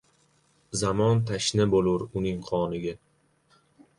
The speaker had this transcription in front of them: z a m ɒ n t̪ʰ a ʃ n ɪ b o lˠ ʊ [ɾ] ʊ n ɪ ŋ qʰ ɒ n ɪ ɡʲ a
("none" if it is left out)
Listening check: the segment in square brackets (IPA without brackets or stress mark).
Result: ɾ